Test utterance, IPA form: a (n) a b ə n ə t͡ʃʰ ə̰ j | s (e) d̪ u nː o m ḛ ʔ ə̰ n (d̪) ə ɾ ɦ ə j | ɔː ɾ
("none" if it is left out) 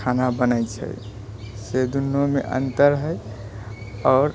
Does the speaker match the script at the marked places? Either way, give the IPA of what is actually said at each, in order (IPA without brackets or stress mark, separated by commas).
n, e, t̪